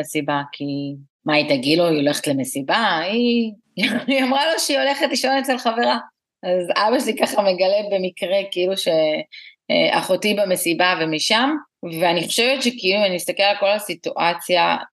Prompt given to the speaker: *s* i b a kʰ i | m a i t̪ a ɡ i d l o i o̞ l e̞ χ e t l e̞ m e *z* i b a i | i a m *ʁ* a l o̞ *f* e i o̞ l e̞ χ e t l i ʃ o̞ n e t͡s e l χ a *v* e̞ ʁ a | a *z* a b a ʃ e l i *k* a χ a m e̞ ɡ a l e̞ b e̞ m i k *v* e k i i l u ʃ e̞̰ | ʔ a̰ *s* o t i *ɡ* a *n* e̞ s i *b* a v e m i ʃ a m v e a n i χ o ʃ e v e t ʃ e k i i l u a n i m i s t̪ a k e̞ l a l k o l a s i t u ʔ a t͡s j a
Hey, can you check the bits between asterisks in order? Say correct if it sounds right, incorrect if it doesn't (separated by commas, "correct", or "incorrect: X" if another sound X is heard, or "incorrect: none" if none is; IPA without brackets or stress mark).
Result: correct, incorrect: s, correct, incorrect: ʃ, correct, correct, correct, incorrect: ʁ, incorrect: χ, incorrect: b, incorrect: m, correct